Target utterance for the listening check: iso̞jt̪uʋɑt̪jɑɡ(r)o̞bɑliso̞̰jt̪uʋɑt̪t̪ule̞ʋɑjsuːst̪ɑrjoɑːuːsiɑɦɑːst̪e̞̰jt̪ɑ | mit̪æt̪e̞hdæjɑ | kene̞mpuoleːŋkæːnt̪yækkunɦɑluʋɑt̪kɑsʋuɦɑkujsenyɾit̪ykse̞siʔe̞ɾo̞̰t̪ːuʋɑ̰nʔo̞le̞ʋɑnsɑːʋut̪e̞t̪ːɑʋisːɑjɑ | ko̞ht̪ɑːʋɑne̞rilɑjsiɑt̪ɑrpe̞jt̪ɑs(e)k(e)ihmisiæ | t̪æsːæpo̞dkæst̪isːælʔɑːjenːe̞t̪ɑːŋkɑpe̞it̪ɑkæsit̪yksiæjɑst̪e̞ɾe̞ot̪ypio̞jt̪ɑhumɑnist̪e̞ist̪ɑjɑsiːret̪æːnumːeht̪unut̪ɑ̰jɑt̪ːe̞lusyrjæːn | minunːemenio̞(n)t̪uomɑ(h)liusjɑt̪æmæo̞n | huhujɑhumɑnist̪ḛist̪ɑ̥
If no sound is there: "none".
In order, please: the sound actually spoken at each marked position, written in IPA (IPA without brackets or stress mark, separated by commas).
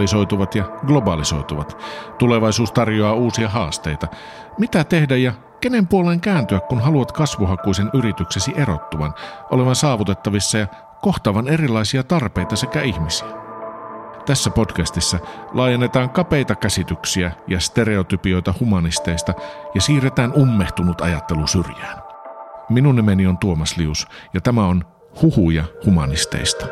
l, e, æ, n, s